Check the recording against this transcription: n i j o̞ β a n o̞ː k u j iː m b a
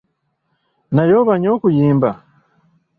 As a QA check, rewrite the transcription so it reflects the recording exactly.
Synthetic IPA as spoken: n a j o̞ β a ɲ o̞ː k u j iː m b a